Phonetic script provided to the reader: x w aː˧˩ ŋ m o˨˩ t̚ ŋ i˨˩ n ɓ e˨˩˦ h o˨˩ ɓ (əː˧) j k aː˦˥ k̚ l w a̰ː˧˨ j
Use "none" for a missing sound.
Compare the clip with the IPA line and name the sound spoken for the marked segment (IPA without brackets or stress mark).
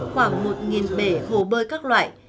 əː˧